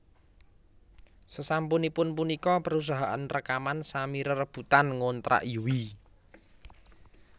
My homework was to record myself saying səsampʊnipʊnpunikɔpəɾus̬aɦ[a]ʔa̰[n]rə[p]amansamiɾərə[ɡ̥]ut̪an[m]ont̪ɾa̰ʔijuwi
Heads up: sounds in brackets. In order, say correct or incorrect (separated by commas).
correct, correct, incorrect, incorrect, incorrect